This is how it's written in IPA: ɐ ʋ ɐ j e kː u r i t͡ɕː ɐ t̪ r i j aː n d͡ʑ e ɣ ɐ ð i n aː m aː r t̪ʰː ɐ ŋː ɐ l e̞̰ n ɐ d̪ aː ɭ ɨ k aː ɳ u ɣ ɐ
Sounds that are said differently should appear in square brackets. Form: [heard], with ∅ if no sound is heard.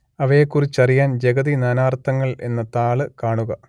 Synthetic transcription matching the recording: ɐ ʋ ɐ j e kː u r i t͡ɕː ɐ [∅] r i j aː n d͡ʑ e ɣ ɐ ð i n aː [n] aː r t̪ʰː ɐ ŋː ɐ [ɭ] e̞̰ [nː] ɐ [t̪] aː ɭ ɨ k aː ɳ u ɣ ɐ